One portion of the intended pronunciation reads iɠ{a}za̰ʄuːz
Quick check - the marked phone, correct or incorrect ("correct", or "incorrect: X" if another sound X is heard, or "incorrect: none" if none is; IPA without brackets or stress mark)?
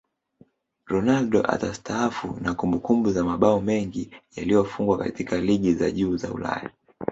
incorrect: i